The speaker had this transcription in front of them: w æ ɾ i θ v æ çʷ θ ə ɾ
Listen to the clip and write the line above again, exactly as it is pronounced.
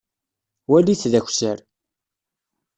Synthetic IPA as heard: w æ l i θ ð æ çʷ s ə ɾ